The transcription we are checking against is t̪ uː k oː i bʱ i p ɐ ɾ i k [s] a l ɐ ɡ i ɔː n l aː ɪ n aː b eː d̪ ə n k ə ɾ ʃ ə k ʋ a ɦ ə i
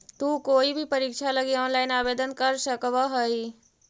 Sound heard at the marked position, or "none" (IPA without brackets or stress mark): ʃ